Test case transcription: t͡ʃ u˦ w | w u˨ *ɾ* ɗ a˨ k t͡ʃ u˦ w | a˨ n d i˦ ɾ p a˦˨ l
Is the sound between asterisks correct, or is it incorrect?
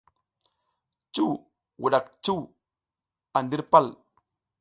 incorrect: none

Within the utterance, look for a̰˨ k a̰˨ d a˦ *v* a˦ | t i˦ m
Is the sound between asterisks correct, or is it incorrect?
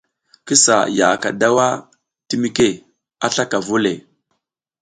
incorrect: w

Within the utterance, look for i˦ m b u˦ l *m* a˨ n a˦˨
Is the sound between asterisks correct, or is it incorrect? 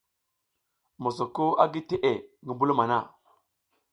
correct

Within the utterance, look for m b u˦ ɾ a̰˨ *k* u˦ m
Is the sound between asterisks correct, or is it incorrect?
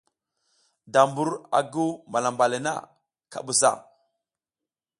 incorrect: ɡ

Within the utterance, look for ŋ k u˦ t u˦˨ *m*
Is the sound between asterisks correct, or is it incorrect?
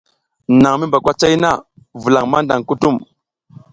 correct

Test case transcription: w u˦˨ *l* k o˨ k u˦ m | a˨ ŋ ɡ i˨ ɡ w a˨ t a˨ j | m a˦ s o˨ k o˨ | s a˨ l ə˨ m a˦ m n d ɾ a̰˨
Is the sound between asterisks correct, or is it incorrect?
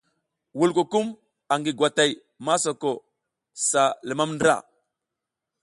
correct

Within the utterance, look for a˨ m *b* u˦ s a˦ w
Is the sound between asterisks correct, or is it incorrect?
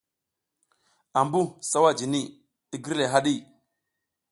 correct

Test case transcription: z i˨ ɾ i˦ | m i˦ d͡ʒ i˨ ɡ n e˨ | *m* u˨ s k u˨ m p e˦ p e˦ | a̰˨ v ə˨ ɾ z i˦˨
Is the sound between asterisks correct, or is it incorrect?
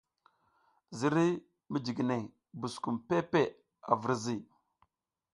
incorrect: b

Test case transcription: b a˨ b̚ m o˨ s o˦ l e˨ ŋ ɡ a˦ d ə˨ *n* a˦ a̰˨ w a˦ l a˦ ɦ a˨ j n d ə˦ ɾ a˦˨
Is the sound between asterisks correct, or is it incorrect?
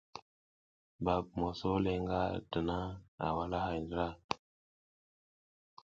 correct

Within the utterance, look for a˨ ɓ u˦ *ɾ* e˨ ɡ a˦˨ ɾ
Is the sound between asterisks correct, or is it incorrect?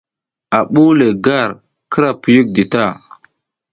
incorrect: l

